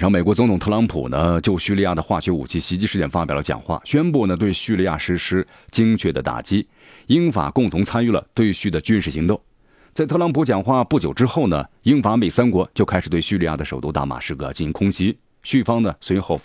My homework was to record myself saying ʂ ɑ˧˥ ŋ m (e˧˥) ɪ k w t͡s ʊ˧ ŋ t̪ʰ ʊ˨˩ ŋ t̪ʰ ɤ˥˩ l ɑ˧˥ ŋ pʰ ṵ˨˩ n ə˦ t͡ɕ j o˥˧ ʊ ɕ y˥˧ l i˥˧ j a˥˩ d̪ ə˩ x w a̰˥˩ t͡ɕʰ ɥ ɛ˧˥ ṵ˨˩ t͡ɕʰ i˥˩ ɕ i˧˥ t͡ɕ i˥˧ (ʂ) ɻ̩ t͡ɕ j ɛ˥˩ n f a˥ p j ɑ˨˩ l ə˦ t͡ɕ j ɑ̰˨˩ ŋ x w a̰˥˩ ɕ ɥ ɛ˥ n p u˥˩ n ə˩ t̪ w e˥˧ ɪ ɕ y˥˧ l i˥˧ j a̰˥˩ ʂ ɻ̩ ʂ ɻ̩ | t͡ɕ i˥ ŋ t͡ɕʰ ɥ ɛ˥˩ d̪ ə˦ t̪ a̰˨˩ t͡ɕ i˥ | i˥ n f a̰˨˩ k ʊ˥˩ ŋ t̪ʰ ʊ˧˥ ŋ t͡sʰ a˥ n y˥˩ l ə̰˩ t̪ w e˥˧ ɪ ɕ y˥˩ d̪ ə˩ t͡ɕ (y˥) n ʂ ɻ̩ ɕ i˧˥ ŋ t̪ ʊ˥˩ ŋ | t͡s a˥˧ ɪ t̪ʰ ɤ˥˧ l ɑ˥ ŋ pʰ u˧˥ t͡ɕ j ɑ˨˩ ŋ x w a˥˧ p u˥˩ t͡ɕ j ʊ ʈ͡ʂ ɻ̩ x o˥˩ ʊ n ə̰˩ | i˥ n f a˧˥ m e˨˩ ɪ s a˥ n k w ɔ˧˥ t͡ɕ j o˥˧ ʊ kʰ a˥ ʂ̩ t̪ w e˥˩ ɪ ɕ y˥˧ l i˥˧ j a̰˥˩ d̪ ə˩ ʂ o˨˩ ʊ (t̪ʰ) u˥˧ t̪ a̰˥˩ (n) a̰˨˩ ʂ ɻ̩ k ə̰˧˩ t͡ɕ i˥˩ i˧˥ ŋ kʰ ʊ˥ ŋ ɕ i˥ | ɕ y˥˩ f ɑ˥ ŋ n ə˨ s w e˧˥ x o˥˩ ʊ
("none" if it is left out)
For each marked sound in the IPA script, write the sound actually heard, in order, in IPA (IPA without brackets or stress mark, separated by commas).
e˨˩, ʂ, y˥, t̪, m